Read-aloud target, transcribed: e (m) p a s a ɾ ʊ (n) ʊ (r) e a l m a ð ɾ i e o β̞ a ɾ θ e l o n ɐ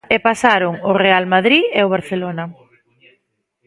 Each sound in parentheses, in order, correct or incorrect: incorrect: none, incorrect: ŋ, correct

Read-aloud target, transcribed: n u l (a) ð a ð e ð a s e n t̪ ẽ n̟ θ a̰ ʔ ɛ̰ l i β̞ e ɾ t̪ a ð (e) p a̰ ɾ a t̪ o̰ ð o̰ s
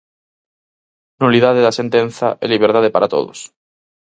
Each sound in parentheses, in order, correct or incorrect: incorrect: i, correct

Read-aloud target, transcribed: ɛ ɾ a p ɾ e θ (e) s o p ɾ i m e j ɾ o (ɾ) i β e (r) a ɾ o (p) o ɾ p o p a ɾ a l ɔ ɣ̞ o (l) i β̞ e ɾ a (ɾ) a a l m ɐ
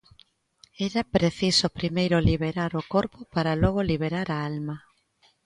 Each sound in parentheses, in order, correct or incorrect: incorrect: i, incorrect: l, incorrect: ɾ, incorrect: k, correct, correct

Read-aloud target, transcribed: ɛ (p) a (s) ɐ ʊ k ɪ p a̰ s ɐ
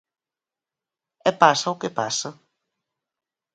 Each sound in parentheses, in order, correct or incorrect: correct, correct

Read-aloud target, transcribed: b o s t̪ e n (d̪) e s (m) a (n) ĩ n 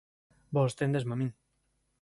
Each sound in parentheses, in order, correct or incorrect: correct, correct, incorrect: m

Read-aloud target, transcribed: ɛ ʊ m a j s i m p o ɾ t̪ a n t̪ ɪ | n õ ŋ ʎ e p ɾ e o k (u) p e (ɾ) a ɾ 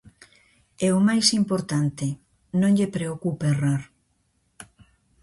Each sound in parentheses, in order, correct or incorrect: correct, incorrect: r

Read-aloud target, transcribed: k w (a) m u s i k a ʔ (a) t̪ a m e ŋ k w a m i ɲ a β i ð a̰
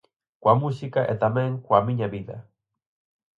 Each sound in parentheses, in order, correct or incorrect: correct, incorrect: e

